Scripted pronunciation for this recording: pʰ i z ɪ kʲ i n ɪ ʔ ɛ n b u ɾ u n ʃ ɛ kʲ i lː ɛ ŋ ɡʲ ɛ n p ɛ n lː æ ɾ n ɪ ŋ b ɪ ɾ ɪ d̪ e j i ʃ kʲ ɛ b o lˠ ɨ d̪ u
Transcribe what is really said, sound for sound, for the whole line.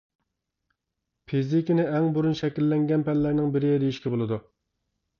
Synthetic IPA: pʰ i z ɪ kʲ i n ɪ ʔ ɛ ŋ b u ɾ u n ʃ ɛ kʲ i lː ɛ ŋ ɡʲ ɛ n p ɛ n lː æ ɾ n ɪ ŋ b ɪ ɾ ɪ d̪ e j i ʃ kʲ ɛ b o lˠ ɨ d̪ u